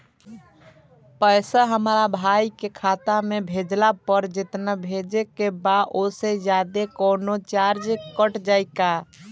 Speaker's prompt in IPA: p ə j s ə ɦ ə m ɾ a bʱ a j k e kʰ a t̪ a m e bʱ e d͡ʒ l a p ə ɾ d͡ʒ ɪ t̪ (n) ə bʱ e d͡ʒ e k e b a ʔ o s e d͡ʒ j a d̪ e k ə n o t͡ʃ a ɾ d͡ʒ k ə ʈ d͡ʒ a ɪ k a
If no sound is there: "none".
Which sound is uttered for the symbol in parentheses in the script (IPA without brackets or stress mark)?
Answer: n